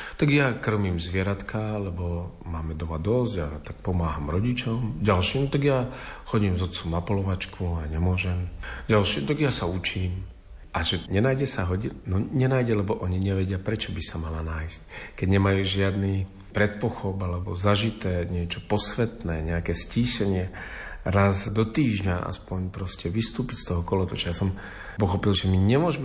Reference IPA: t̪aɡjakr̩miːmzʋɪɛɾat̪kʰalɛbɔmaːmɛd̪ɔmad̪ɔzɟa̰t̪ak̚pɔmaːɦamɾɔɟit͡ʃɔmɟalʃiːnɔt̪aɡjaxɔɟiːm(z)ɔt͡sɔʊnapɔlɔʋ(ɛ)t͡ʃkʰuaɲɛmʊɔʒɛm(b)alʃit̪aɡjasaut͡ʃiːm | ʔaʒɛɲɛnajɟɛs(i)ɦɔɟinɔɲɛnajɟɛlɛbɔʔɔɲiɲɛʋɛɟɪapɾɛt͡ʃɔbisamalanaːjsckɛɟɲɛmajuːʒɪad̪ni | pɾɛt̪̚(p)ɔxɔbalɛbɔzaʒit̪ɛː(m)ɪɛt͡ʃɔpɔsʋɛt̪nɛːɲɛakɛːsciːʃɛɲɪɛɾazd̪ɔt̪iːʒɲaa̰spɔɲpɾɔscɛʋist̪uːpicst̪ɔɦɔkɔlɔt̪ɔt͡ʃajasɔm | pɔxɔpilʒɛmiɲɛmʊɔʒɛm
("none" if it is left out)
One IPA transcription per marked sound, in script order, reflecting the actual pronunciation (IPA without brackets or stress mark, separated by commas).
z, a, ɟ, a, p, ɲ